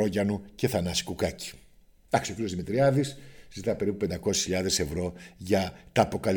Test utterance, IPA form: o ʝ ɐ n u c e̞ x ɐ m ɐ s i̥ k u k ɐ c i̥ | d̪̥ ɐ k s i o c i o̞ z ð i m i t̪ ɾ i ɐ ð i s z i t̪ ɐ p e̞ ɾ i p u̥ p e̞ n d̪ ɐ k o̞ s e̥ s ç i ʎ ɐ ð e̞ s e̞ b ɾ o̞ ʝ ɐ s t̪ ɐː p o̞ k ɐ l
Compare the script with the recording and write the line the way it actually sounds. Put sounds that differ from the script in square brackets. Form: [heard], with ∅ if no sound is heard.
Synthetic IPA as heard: o ʝ ɐ n u c e̞ [θ] ɐ [n] ɐ s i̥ k u k ɐ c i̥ | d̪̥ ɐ k s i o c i o̞ z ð i m i t̪ ɾ i ɐ ð i s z i t̪ ɐ p e̞ ɾ i p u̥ p e̞ n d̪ ɐ k o̞ s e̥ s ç i ʎ ɐ ð e̞ s e̞ [v] ɾ o̞ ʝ ɐ [∅] t̪ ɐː p o̞ k ɐ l